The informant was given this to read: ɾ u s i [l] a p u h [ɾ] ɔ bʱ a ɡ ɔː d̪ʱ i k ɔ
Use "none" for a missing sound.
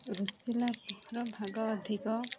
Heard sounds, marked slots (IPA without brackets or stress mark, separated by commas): l, ɾ